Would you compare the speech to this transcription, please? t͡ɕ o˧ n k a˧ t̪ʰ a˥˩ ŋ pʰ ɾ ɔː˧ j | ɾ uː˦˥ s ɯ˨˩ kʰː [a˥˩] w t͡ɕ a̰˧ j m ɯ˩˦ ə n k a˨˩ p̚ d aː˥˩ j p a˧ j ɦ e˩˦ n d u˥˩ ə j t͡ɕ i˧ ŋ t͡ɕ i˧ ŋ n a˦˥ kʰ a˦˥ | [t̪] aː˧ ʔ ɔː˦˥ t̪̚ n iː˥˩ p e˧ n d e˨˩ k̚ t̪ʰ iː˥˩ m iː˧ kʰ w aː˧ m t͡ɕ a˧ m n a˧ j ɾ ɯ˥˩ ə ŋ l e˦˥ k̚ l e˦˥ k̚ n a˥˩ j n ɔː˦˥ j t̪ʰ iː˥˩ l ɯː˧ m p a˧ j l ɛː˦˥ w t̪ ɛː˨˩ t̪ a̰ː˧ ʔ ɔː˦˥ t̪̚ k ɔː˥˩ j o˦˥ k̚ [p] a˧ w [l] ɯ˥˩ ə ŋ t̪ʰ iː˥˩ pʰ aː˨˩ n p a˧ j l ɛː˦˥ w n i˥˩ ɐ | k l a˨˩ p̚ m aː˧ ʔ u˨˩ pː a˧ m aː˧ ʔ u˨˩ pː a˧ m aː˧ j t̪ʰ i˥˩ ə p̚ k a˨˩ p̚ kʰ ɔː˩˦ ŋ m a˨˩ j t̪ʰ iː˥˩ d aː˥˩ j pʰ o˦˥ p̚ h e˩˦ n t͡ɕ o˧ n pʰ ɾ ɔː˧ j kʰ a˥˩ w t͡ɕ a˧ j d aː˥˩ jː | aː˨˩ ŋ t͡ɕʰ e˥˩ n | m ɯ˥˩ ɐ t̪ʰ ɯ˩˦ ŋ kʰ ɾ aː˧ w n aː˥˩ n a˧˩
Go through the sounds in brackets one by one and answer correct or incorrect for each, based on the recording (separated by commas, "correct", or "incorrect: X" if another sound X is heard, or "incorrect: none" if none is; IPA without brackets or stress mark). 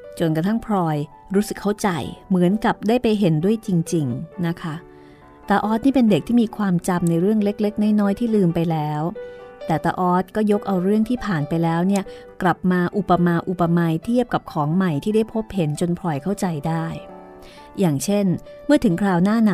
correct, correct, incorrect: ʔ, incorrect: ɾ